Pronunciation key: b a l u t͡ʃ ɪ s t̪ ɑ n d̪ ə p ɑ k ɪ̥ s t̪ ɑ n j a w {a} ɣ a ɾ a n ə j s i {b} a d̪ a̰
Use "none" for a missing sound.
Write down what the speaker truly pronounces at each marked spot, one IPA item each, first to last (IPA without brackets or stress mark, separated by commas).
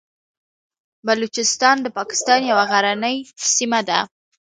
a, m